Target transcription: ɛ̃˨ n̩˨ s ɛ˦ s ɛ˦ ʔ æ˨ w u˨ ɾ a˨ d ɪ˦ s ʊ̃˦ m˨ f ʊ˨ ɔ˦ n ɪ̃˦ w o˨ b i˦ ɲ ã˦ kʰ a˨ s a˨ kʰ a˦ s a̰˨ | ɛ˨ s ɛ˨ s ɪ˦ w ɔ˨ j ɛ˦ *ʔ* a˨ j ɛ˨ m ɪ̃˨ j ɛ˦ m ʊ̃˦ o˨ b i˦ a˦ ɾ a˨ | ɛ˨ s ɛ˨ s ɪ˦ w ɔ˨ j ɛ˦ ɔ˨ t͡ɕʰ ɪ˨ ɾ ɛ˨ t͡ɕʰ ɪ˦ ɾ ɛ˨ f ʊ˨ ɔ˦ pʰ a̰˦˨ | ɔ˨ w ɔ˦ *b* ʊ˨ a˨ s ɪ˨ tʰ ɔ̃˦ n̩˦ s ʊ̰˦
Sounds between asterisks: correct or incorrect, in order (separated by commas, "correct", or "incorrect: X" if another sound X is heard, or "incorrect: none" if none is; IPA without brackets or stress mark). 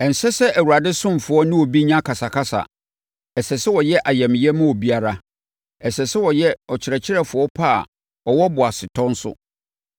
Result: correct, correct